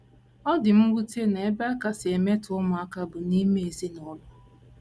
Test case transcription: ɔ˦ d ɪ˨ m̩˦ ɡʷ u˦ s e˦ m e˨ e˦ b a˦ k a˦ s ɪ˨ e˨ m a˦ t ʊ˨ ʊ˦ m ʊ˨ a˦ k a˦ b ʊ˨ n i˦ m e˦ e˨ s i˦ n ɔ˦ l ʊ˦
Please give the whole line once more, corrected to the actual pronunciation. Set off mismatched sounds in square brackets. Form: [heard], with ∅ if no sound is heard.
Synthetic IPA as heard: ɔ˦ d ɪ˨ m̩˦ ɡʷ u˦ [t] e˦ [n] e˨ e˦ b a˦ k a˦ s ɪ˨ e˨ m [e˦] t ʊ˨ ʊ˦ m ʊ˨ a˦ k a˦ b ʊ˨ n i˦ m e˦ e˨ [z] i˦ n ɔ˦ l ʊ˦